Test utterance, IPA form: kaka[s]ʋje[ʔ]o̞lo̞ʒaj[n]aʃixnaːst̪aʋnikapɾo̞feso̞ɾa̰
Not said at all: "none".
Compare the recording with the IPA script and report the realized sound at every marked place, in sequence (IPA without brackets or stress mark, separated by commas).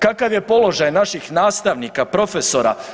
none, p, n